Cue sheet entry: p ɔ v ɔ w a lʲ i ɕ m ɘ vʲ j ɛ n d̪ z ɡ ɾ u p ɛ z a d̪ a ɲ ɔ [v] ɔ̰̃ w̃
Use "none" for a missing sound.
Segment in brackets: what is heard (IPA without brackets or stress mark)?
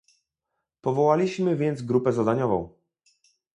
v